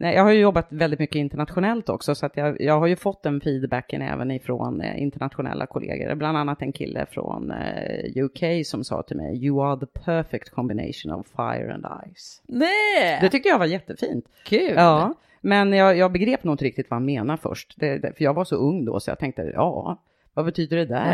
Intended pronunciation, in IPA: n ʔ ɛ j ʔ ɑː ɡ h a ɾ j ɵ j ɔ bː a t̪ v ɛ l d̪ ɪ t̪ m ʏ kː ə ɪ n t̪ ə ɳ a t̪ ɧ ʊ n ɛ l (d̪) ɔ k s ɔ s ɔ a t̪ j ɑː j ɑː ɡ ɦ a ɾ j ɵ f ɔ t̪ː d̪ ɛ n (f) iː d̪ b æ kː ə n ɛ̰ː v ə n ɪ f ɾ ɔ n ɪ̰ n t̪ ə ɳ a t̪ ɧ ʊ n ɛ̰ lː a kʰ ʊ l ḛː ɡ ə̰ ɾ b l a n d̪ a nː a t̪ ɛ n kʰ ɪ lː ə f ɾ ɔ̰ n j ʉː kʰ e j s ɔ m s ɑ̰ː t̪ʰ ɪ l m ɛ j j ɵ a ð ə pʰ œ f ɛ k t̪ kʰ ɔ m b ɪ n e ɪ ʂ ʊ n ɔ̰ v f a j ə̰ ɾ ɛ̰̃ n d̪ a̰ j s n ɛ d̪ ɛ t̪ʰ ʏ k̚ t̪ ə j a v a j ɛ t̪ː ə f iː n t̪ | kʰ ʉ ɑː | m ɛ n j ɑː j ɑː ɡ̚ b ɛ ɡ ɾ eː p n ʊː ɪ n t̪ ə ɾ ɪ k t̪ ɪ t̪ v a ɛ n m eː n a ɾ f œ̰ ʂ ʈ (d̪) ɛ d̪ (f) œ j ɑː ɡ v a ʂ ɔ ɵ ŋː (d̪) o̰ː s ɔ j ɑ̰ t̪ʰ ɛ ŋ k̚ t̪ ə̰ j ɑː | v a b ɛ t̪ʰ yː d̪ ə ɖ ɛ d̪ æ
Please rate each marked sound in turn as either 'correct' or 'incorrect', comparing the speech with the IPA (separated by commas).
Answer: incorrect, correct, correct, correct, correct